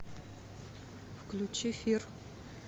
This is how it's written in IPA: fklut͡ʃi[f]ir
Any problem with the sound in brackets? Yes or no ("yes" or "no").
no